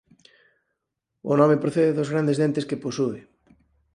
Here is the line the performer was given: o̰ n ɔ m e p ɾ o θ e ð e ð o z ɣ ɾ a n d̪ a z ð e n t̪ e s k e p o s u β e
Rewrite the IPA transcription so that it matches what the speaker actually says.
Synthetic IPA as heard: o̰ n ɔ m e p ɾ o θ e ð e ð o z ɣ ɾ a n d̪ e z ð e n t̪ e s k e p o s u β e